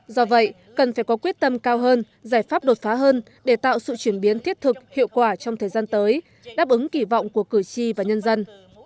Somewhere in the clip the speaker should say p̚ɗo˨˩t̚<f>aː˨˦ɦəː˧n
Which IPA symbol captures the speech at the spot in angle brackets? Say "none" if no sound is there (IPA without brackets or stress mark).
f